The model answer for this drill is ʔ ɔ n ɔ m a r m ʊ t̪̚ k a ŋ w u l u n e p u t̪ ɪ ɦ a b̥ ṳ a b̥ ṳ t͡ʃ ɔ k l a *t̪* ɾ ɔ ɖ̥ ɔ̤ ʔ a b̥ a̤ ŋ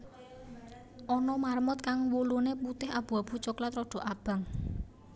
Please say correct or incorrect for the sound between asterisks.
correct